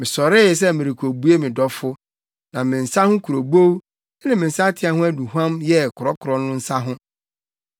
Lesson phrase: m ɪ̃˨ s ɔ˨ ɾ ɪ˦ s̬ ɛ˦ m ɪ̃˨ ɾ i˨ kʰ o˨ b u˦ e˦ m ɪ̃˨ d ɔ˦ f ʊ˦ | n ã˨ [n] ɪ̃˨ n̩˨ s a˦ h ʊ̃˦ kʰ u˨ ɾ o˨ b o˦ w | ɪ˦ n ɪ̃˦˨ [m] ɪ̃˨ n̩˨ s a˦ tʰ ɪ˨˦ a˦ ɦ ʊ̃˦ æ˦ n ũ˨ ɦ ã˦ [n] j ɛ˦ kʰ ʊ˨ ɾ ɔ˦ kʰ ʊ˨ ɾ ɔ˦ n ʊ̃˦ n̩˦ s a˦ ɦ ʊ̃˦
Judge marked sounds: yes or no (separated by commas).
no, yes, no